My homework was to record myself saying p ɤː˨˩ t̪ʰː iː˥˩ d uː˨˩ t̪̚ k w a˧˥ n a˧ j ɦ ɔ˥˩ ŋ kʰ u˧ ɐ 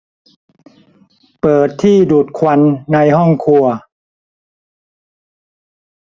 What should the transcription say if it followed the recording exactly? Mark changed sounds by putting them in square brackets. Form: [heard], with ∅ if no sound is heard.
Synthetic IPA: p ɤː˨˩ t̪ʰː iː˥˩ d uː˨˩ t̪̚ [kʰ] w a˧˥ [nː] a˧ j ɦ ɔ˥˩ ŋ kʰ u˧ ɐ